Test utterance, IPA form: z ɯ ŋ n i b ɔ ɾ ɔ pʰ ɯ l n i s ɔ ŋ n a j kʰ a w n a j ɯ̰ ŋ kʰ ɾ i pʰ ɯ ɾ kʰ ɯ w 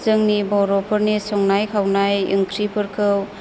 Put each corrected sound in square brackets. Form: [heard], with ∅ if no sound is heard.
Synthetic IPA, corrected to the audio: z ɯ ŋ n i b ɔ ɾ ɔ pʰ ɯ [ɾ] n i s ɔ ŋ n a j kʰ a w n a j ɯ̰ ŋ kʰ ɾ i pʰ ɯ ɾ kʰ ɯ w